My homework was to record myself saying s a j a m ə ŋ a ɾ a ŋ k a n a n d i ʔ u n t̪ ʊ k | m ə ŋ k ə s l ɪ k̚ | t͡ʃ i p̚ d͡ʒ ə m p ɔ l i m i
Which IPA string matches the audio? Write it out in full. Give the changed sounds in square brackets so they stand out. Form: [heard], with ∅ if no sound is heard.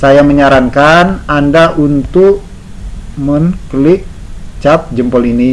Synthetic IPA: s a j a m ə [ɲ] a ɾ a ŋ k a n a n d [a] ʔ u n t̪ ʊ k | m ə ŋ k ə [∅] l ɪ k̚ | t͡ʃ [a] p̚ d͡ʒ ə m p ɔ l i [n] i